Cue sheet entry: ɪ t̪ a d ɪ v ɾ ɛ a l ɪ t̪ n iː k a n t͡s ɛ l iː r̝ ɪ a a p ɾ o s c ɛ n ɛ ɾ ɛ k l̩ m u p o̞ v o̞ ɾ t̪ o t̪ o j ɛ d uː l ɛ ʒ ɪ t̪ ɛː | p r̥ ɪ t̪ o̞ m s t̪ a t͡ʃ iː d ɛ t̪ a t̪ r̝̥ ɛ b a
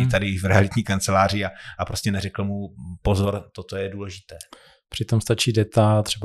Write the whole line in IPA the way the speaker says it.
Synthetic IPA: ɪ t̪ a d ɪ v ɾ ɛ a l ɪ t̪ ɲ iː k a n t͡s ɛ l aː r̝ ɪ a a p ɾ o s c ɛ n ɛ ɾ ɛ k l̩ m u p o̞ z o̞ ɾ t̪ o t̪ o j ɛ d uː l ɛ ʒ ɪ t̪ ɛː | p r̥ ɪ t̪ o̞ m s t̪ a t͡ʃ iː d ɛ t̪ a t̪ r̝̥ ɛ b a